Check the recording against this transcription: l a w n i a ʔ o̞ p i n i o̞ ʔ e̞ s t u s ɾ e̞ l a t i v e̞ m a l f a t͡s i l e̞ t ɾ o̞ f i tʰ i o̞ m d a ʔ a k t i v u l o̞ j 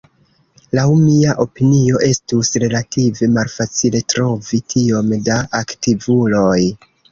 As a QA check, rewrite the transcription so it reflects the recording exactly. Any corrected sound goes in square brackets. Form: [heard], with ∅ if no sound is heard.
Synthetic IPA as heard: l a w [m] i a ʔ o̞ p i n i o̞ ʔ e̞ s t u s ɾ e̞ l a t i v e̞ m a l f a t͡s i l e̞ t ɾ o̞ [v] i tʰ i o̞ m d a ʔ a k t i v u l o̞ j